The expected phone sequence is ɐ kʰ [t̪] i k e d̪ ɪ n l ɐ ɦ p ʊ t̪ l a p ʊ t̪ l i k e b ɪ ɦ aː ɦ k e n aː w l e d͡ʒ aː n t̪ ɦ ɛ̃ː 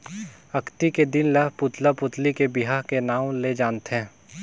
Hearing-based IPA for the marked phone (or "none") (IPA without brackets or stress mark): t̪